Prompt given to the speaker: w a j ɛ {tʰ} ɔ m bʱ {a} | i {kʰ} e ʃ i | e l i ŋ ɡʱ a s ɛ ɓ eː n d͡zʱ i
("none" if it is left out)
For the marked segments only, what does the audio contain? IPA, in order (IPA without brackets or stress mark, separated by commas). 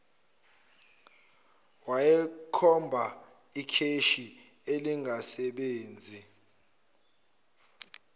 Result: kʰ, a, kʰ